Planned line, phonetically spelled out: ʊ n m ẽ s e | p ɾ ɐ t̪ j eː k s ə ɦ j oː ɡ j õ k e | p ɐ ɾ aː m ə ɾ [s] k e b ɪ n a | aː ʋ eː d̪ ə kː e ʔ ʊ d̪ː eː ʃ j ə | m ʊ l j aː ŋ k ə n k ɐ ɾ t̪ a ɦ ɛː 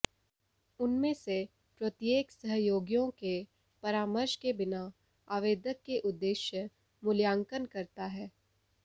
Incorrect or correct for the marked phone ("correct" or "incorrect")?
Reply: incorrect